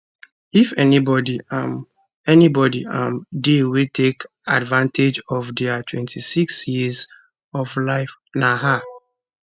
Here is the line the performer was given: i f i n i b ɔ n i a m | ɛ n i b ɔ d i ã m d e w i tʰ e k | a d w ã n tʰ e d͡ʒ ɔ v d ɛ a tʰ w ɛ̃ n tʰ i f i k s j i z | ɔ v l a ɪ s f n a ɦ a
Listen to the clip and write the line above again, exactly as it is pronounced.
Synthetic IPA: i f ɛ n i b ɔ d i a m | ɛ n i b ɔ d i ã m d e w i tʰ e k | a d v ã n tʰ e d͡ʒ ɔ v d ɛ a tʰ w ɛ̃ n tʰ i s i k s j i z | ɔ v l a ɪ f n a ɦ a